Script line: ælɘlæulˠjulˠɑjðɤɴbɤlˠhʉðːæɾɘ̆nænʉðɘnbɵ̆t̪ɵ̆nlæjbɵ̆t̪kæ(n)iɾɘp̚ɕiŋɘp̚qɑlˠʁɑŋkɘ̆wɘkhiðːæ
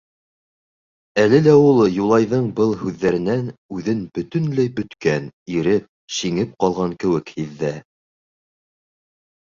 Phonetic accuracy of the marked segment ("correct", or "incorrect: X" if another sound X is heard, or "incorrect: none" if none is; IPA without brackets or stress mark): correct